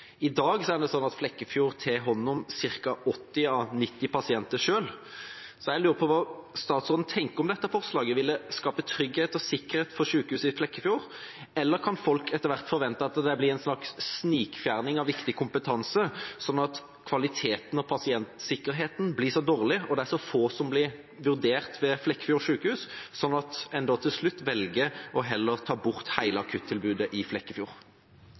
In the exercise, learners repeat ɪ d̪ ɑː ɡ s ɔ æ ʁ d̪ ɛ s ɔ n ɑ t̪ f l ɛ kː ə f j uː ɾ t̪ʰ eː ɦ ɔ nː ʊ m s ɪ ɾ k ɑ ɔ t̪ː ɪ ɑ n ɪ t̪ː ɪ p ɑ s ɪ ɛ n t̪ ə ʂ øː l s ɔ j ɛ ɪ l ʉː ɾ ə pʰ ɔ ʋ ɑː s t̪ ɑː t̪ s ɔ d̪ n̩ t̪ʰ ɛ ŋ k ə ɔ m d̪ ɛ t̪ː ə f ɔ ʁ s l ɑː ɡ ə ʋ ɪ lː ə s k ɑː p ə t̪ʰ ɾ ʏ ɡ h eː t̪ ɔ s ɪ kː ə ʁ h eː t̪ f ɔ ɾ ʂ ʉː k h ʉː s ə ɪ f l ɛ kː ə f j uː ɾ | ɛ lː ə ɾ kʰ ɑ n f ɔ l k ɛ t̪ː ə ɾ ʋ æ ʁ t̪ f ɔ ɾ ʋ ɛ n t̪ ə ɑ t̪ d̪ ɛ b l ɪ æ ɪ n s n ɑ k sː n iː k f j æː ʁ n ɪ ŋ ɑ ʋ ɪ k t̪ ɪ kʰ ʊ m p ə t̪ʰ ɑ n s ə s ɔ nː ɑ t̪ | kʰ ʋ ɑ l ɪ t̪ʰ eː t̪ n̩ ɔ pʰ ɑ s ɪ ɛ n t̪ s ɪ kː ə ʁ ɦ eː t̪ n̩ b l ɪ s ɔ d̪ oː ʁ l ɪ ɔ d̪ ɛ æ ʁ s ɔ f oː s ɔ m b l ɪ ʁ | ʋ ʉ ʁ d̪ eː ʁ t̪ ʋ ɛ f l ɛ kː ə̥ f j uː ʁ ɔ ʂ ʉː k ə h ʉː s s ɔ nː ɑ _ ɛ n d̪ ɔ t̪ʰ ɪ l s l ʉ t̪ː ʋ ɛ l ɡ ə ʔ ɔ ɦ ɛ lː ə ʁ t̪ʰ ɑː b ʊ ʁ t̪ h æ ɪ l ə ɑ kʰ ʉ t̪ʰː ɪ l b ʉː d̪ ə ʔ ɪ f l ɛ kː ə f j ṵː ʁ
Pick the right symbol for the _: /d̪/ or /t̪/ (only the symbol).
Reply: t̪